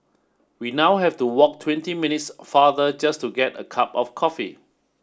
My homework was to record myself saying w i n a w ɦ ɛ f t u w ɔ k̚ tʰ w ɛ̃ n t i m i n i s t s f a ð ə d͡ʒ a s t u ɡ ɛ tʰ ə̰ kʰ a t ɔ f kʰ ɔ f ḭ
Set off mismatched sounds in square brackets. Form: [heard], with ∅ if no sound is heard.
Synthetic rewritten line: w i n a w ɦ ɛ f t u w ɔ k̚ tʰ w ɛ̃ n t i m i n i [∅] t s f a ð ə d͡ʒ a s t u ɡ ɛ [t] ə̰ kʰ a [p] ɔ f kʰ ɔ f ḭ